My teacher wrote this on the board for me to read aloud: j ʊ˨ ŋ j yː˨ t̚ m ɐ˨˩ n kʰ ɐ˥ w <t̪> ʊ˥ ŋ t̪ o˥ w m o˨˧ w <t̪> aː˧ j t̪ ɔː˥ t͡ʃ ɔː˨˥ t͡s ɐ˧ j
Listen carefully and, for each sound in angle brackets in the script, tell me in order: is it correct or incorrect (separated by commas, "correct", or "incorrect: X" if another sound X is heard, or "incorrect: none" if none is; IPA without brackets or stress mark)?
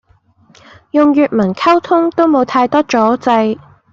incorrect: t̪ʰ, incorrect: t̪ʰ